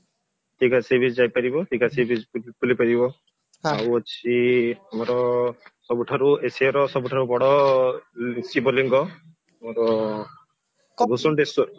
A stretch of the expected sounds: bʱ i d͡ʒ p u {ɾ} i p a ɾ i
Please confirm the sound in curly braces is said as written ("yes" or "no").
no